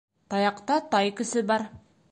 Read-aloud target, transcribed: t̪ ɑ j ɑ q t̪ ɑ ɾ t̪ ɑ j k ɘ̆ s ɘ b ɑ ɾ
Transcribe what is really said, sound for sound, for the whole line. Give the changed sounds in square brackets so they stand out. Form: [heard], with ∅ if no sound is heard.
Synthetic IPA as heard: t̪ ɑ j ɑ q t̪ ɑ [∅] t̪ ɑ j k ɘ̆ s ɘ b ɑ ɾ

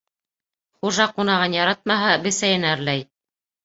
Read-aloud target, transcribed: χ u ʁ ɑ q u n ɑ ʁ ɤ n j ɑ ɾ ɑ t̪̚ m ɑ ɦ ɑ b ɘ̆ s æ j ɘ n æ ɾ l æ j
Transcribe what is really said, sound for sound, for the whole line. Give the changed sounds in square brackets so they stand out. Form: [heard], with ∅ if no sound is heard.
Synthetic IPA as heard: χ u [ʒ] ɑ q u n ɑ ʁ ɤ n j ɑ ɾ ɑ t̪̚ m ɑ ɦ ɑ b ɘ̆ s æ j ɘ n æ ɾ l æ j

